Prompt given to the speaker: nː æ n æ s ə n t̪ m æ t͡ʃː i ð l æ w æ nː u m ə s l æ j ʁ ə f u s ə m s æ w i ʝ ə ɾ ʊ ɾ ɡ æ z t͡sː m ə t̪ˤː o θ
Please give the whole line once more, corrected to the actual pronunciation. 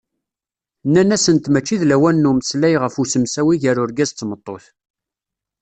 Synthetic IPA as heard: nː æ n æ s ə n t̪ m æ t͡ʃː i ð l æ w æ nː u m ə s l æ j ʁ ə f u s ə m s æ w i ʝ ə ɾ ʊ ɾ ɡ æ z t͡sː m ə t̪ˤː o θ